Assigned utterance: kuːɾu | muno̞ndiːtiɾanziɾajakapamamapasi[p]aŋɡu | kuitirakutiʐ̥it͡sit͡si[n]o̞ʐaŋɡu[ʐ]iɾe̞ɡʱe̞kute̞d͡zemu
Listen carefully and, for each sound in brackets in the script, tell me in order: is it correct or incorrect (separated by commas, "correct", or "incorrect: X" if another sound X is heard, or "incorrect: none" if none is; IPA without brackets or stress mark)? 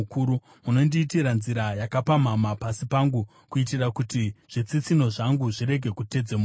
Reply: correct, correct, correct